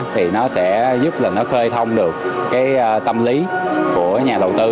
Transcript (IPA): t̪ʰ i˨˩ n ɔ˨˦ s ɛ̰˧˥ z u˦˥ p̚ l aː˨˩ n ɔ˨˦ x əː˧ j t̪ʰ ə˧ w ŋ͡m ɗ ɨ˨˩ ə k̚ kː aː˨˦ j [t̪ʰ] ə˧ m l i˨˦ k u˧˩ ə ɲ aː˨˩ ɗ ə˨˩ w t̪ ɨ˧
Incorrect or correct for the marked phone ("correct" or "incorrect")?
incorrect